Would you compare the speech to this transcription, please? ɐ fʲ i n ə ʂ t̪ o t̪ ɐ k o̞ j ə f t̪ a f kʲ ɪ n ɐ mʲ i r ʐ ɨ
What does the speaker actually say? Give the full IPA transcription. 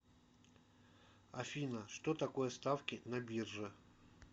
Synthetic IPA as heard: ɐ fʲ i n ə ʂ t̪ o t̪ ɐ k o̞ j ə s t̪ a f kʲ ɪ n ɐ bʲ i r ʐ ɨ